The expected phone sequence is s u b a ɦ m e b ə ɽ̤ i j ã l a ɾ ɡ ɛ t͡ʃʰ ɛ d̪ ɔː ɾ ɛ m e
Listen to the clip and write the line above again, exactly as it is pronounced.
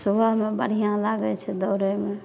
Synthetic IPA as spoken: s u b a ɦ m e b ə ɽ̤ i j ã l a ɡ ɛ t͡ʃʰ ɛ d̪ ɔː ɾ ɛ m e